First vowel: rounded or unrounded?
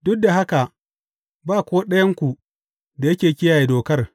rounded